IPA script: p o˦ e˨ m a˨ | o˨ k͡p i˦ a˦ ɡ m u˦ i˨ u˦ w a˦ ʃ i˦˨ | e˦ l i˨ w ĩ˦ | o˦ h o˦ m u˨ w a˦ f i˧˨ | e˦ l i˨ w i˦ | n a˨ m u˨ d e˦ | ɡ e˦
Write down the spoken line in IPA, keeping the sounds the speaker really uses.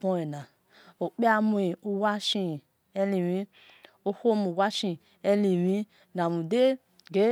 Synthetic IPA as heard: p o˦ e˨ n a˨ | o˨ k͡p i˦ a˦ m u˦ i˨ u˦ w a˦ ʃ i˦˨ | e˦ l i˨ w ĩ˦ | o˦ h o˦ m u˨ w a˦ ʃ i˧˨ | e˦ l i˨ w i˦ | n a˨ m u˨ d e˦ | ɡ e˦